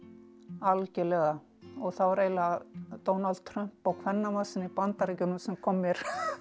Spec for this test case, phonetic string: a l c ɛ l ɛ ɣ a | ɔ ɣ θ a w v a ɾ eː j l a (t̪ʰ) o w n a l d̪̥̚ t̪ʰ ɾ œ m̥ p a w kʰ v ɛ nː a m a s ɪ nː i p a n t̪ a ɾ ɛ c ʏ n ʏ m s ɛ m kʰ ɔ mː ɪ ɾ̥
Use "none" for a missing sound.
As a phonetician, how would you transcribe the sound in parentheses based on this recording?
t̪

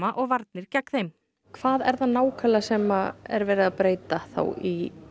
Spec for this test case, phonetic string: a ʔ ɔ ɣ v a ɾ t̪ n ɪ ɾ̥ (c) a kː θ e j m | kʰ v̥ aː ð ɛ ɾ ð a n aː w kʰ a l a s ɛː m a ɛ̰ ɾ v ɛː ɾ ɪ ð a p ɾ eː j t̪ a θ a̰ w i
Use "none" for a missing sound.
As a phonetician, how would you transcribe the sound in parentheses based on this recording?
c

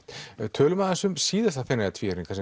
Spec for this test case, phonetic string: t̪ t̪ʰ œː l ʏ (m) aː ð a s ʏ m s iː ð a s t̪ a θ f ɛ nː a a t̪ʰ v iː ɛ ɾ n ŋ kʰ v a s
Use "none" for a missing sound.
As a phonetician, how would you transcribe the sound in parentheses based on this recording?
m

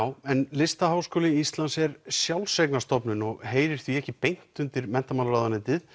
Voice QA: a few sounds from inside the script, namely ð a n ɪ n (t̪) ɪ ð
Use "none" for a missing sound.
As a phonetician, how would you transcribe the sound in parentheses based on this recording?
t̪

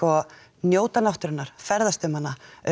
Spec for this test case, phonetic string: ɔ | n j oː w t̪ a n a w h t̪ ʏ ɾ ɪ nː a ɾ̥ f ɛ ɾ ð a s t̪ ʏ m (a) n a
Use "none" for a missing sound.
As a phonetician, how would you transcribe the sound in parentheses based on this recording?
a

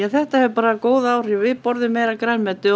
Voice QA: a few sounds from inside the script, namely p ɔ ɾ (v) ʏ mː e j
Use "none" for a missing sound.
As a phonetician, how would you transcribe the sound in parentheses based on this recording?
ð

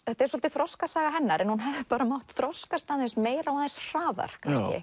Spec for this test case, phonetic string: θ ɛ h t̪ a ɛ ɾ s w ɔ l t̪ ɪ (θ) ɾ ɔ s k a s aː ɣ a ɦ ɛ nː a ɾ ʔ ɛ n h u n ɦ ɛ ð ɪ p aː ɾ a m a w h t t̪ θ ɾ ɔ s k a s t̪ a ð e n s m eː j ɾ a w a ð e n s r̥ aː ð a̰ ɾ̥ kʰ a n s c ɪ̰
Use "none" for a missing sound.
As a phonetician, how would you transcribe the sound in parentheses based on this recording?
θ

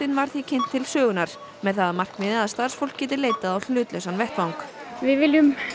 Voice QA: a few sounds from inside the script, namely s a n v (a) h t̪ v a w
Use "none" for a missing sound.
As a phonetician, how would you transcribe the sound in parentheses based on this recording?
ɛ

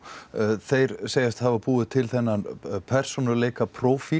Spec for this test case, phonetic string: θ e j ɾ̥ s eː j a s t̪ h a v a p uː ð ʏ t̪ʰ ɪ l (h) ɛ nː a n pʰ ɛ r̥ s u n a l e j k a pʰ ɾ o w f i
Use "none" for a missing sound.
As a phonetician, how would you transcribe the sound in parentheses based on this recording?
θ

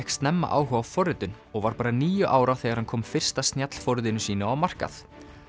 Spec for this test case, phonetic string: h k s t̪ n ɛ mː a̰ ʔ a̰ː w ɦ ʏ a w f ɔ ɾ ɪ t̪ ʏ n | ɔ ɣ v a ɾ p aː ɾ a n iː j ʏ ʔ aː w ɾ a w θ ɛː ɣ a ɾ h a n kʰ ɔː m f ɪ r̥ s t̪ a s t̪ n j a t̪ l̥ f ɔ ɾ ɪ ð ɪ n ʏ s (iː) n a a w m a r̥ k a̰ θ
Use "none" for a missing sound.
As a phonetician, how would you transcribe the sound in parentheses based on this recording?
iː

